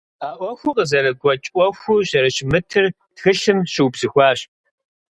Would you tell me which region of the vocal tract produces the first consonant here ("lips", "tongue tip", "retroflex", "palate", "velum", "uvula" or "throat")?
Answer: throat